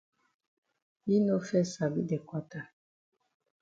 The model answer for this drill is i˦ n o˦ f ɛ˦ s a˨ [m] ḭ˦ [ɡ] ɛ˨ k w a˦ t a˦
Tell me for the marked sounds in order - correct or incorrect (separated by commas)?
incorrect, incorrect